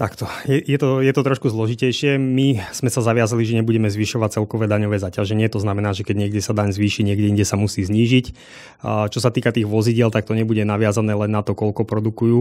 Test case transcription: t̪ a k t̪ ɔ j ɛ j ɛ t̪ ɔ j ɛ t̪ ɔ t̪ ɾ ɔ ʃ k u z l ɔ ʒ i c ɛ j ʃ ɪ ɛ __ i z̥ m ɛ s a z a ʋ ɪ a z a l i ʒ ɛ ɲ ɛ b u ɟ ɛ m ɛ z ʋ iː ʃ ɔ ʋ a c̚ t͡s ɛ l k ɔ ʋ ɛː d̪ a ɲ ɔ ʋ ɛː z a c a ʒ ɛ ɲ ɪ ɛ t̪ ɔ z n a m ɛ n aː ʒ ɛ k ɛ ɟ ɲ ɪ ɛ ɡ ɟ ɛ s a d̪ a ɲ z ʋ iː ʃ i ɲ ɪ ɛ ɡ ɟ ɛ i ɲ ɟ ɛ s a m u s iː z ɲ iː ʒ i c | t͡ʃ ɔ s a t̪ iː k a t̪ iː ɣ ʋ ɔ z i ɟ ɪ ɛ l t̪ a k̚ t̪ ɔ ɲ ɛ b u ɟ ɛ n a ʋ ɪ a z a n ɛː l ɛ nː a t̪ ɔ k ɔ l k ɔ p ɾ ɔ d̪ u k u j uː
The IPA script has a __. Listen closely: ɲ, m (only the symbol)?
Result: m